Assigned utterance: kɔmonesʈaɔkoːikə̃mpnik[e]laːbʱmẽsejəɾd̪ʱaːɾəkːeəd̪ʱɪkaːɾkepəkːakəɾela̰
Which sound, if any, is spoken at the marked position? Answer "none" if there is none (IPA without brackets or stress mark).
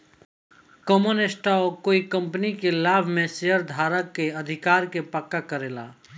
e